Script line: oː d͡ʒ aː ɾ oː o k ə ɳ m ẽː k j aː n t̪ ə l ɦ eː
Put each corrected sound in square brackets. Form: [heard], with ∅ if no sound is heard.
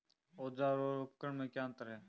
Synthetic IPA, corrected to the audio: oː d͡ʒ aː ɾ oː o k ə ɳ m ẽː k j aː n t̪ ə [ɾ] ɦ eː